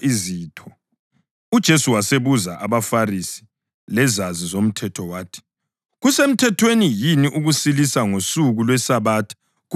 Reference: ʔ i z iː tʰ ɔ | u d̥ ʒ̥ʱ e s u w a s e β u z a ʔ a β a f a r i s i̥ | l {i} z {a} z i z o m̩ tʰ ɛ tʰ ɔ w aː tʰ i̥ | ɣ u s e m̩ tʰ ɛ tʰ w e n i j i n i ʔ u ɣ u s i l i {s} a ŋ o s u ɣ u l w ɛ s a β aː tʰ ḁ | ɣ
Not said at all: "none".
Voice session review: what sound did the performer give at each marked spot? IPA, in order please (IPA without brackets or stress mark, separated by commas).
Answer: ɛ, a, s